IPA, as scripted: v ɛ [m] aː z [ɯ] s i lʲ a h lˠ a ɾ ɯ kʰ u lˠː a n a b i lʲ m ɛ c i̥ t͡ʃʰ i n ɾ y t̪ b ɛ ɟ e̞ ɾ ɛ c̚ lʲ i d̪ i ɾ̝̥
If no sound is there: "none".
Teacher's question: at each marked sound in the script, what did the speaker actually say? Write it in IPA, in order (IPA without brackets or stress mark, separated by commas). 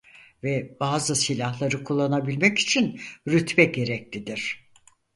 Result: b, ɯ